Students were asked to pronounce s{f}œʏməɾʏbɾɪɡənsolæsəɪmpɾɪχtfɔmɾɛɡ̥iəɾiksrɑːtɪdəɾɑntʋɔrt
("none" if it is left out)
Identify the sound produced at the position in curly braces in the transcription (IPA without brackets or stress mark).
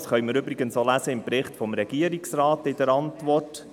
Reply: χ